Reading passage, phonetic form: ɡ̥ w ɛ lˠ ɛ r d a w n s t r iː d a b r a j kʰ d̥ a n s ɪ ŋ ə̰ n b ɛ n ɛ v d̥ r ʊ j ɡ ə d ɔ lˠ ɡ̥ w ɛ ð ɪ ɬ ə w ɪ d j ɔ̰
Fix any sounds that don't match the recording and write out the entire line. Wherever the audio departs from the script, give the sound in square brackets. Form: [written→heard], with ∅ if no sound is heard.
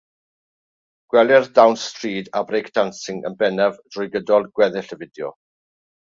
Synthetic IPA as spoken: ɡ̥ w ɛ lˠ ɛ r d a w n s t r iː d a b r [a→e] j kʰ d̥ a n s ɪ ŋ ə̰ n b ɛ n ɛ v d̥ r ʊ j ɡ ə d ɔ lˠ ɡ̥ w ɛ ð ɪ ɬ ə [w→v] ɪ d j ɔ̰